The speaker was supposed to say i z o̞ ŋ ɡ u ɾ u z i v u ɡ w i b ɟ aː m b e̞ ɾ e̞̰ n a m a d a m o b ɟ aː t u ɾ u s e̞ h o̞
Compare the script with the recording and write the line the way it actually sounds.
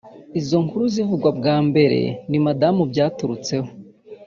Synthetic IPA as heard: i z o̞ ŋ k u ɾ u z i v u ɡ w a b ɡ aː m b e̞ ɾ e̞̰ n i m a d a m u b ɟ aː t u ɾ u t͡s e̞ h o̞

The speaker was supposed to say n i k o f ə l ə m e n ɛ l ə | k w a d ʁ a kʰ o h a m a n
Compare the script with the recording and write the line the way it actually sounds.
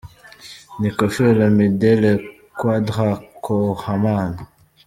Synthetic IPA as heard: n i k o f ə l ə m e d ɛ l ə | k w a d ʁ a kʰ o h a m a n

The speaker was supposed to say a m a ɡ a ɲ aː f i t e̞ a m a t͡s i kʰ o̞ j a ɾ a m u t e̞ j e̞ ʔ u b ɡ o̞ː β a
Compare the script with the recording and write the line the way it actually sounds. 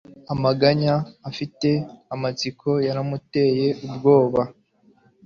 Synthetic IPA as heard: a m a ɡ a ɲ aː f i t e̞ a m a t͡s i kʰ o̞ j a ɾ a m u t e̞ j e̞ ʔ u b ɡ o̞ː β a

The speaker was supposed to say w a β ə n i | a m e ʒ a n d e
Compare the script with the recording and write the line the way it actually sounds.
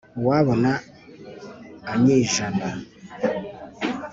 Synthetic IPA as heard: w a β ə n a | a ɲ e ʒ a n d a

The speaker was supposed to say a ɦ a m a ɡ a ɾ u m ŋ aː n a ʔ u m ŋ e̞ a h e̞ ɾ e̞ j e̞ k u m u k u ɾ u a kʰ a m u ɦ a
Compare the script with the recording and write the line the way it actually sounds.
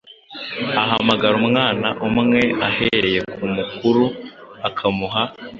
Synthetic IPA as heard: a ɦ a m a ɡ a ɾ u m ŋ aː n a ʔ u m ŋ e̞ a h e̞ ɾ e̞ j e̞ k u m u k u ɾ u a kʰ a m u ɦ a

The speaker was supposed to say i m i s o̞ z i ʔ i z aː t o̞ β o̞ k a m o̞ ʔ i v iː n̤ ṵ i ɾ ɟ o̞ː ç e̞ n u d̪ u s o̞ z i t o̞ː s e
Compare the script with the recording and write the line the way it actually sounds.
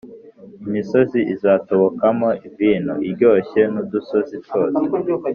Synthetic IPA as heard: i m i s o̞ z i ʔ i z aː t o̞ β o̞ k a m o̞ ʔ i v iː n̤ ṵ i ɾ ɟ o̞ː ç e̞ n u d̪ u s o̞ z i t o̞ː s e

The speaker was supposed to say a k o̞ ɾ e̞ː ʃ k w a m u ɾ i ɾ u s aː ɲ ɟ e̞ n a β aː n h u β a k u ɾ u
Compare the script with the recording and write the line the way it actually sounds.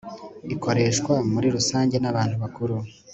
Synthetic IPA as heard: i k o̞ ɾ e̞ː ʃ k w a m u ɾ i ɾ u s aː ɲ ɟ e̞ n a β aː n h u β a k u ɾ u

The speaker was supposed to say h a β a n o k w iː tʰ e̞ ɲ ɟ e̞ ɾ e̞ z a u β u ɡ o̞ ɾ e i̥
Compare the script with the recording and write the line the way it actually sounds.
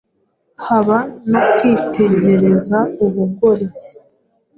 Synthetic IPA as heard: h a β a n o k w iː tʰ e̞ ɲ ɟ e̞ ɾ e̞ z a u β u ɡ o̞ ɾ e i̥

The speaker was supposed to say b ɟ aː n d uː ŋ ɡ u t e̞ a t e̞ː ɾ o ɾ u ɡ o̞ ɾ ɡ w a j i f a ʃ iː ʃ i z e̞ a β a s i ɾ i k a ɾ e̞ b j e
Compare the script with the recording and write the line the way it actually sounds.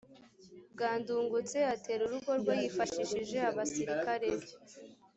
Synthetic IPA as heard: b ɡ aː n d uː ŋ ɡ u t͡s e̞ a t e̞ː ɾ u ɾ u ɡ o̞ ɾ ɡ w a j i f a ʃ i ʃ i ʒ e̞ a β a s i ɾ i k a ɾ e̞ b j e

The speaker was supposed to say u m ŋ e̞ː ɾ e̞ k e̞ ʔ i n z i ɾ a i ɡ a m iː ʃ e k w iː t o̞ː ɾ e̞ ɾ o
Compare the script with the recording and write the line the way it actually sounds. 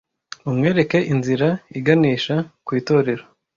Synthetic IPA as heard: u m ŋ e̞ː ɾ e̞ k e̞ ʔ i n z i ɾ a i ɡ a n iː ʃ a k w iː t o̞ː ɾ e̞ ɾ o

